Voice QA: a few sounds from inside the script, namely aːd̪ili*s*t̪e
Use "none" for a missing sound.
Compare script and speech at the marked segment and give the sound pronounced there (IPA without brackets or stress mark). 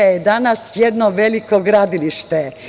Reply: ʃ